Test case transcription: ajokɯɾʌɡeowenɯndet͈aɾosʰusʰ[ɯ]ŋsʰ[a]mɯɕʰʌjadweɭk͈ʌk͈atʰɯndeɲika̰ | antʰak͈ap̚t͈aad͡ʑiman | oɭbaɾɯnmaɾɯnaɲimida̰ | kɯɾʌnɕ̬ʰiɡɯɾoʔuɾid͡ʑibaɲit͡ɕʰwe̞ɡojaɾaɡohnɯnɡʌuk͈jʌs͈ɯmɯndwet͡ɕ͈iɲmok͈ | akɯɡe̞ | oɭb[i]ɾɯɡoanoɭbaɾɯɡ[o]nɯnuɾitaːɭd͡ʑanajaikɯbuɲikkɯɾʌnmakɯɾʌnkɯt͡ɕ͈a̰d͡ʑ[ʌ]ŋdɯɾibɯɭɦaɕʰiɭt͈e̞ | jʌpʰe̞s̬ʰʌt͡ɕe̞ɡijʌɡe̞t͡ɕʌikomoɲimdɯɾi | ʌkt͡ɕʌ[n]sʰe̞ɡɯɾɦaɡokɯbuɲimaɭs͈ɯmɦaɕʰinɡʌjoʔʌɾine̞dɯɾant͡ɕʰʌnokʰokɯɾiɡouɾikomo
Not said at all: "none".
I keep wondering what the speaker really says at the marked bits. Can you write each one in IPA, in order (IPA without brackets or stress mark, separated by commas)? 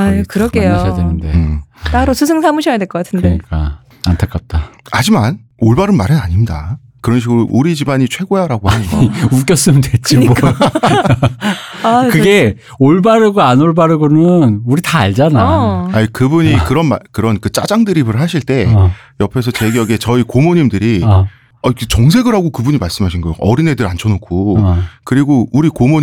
ɯ, a, a, o, a, ŋ